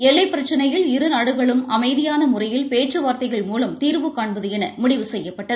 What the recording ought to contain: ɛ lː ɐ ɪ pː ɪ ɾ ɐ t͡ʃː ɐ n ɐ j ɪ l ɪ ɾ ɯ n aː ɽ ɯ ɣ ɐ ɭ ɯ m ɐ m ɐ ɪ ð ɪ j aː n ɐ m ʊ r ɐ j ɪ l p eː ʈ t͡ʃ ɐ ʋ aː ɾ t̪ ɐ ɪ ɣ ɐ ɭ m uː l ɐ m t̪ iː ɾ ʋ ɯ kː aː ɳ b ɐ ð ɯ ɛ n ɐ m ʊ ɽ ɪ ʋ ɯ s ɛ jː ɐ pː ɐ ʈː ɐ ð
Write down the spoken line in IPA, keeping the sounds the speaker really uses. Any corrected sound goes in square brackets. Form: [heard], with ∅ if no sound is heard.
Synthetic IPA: ɛ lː ɐ ɪ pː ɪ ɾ ɐ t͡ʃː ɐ n ɐ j ɪ l ɪ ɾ ɯ n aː ɽ ɯ ɣ ɐ ɭ ɯ m ɐ m ɐ ɪ ð ɪ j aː n ɐ m ʊ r ɐ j ɪ l p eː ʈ t͡ʃ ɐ ʋ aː ɾ t̪ ɐ ɪ ɣ ɐ ɭ m uː l ɐ m t̪ iː ɾ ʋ ɯ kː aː ɳ b ɐ ð ɯ ɛ n ɐ m ʊ ɽ ɪ ʋ ɯ s ɛ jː ɐ pː ɐ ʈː ɐ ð

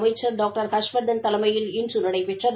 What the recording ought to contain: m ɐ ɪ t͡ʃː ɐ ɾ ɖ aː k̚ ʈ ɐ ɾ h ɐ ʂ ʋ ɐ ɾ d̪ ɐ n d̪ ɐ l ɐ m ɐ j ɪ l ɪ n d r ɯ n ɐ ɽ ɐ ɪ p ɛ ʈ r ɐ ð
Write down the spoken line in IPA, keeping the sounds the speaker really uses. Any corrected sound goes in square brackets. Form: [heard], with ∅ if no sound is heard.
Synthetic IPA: m ɐ ɪ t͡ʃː ɐ ɾ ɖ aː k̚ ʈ ɐ ɾ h ɐ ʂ ʋ ɐ ɾ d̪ ɐ n [t̪] ɐ l ɐ m ɐ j ɪ l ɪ n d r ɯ n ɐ ɽ ɐ ɪ p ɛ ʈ r ɐ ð

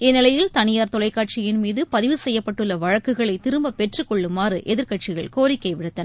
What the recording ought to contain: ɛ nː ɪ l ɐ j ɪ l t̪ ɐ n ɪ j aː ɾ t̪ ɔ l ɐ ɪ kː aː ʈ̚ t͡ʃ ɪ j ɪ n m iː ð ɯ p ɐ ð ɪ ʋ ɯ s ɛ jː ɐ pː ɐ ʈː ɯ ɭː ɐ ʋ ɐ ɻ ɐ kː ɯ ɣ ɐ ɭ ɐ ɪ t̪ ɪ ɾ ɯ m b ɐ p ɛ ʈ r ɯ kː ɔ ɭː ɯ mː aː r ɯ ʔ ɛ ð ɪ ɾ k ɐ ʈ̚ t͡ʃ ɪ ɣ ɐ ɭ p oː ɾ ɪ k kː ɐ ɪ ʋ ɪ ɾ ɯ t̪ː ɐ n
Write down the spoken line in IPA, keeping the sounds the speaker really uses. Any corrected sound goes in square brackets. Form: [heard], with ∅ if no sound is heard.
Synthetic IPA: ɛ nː ɪ l ɐ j ɪ l t̪ ɐ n ɪ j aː ɾ t̪ ɔ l ɐ ɪ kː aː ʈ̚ t͡ʃ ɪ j ɪ n m iː ð ɯ p ɐ ð ɪ ʋ ɯ s ɛ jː ɐ pː ɐ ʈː ɯ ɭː ɐ ʋ ɐ ɻ ɐ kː ɯ ɣ ɐ ɭ ɐ ɪ t̪ ɪ ɾ ɯ m b ɐ p ɛ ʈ r ɯ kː ɔ ɭː ɯ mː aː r ɯ ʔ ɛ ð ɪ ɾ k ɐ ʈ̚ t͡ʃ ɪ ɣ ɐ ɭ [k] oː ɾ ɪ k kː ɐ ɪ ʋ ɪ [ɽ] ɯ t̪ː ɐ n

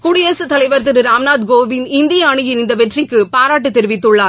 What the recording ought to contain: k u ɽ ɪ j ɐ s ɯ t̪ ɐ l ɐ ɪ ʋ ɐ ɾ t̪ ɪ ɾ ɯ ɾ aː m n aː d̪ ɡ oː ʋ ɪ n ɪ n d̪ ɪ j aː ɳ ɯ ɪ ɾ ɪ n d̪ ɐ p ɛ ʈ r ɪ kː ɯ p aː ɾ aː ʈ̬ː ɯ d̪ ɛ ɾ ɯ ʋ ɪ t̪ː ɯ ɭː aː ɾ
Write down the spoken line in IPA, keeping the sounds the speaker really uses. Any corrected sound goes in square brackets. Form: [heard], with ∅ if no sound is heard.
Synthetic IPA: k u ɽ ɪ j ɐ s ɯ t̪ ɐ l ɐ ɪ ʋ ɐ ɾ t̪ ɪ ɾ ɯ ɾ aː m n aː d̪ ɡ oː ʋ ɪ n ɪ n d̪ ɪ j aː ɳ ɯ ɪ ɾ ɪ n d̪ ɐ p ɛ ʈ r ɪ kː ɯ p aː ɾ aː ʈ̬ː ɯ [t̪] ɛ ɾ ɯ ʋ ɪ t̪ː ɯ ɭː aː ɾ

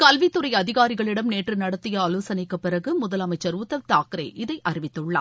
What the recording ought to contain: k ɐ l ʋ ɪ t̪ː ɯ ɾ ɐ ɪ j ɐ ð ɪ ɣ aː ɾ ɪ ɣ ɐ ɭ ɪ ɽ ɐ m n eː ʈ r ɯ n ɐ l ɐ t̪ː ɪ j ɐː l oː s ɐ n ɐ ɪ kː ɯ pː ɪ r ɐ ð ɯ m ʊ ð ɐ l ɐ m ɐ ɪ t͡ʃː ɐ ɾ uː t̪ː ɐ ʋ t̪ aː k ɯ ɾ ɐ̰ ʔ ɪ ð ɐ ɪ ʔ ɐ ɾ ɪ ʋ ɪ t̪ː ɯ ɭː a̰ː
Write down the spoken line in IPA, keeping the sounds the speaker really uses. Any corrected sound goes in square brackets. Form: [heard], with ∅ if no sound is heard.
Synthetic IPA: k ɐ l ʋ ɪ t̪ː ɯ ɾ ɐ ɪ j ɐ ð ɪ ɣ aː ɾ ɪ ɣ ɐ ɭ ɪ ɽ ɐ m n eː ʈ r ɯ n ɐ [ɽ] ɐ t̪ː ɪ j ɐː l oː s ɐ n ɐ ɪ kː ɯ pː ɪ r ɐ [ɣ] ɯ m ʊ ð ɐ l ɐ m ɐ ɪ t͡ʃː ɐ ɾ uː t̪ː ɐ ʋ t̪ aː k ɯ ɾ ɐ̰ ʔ ɪ ð ɐ ɪ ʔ ɐ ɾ ɪ ʋ ɪ t̪ː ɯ ɭː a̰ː

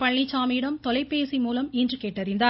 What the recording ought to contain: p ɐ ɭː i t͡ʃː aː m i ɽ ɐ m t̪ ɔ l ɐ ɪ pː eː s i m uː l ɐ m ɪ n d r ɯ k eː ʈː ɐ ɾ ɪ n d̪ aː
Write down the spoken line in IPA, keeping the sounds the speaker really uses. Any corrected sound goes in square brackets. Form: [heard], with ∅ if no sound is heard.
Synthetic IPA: p ɐ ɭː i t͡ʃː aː m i ɽ ɐ m t̪ ɔ l ɐ ɪ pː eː s i m uː l ɐ m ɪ n d r ɯ k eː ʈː ɐ ɾ ɪ n d̪ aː

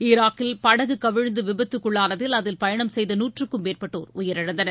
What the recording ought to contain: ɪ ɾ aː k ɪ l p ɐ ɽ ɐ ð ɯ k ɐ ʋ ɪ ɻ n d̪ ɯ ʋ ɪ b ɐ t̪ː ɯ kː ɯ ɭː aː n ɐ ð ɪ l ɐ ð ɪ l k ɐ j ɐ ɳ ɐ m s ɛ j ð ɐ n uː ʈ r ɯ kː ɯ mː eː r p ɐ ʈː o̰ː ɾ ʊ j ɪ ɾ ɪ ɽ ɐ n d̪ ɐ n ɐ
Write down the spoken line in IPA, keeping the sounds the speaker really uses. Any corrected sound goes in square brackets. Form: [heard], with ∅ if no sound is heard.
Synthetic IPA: ɪ ɾ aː k ɪ l p ɐ ɽ ɐ [ɣ] ɯ k ɐ ʋ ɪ ɻ n d̪ ɯ ʋ ɪ b ɐ t̪ː ɯ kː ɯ ɭː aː n ɐ ð ɪ l ɐ ð ɪ l [p] ɐ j ɐ ɳ ɐ m s ɛ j ð ɐ n uː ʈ r ɯ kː ɯ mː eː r p ɐ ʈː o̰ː ɾ ʊ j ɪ ɾ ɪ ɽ ɐ n d̪ ɐ n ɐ

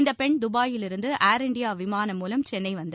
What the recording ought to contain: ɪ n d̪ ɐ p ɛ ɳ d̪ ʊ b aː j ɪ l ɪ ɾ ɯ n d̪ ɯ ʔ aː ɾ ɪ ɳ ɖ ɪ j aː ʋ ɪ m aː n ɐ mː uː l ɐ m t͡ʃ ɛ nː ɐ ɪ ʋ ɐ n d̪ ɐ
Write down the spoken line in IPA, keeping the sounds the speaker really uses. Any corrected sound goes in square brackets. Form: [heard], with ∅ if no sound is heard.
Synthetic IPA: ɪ n d̪ ɐ p ɛ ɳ d̪ ʊ b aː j ɪ l ɪ ɾ ɯ n d̪ ɯ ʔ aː ɾ ɪ ɳ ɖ ɪ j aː ʋ ɪ m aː n ɐ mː uː l ɐ m t͡ʃ ɛ nː ɐ ɪ ʋ ɐ n d̪ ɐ

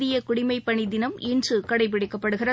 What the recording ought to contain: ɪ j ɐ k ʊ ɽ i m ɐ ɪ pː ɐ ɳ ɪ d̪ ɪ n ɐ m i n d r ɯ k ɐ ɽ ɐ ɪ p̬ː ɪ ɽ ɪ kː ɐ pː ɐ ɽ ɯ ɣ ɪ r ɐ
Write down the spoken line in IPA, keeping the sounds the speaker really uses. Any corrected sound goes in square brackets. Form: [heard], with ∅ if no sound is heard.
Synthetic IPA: ɪ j ɐ k ʊ ɽ [ɪ] m ɐ ɪ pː ɐ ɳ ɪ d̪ ɪ n ɐ m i n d r ɯ k ɐ ɽ ɐ ɪ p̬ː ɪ ɽ ɪ kː ɐ pː ɐ ɽ ɯ ɣ ɪ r ɐ

